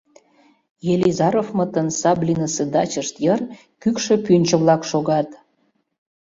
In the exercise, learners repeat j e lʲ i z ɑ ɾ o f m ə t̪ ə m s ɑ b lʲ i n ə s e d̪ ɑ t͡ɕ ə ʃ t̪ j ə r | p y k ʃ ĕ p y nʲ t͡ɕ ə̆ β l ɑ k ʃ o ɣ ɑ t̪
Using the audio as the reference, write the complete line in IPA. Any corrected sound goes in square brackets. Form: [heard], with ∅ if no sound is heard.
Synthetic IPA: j e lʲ i z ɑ ɾ o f m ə t̪ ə [n] s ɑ b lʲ i n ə s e d̪ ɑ t͡ɕ ə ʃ t̪ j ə r | [k] y k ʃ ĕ p y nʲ t͡ɕ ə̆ β l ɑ k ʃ o ɣ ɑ t̪